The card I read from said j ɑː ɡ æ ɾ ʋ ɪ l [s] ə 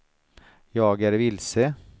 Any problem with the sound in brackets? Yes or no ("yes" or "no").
no